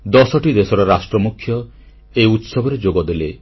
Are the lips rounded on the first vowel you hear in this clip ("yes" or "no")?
yes